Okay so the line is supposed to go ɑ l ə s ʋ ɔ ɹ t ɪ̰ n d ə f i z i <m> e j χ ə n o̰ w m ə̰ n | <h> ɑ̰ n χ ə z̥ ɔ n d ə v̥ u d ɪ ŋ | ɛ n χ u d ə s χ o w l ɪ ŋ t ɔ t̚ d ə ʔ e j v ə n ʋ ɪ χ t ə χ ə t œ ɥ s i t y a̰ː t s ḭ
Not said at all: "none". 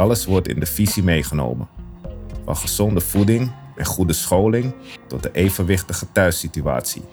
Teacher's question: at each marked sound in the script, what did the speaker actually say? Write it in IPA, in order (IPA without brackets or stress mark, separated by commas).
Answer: m, f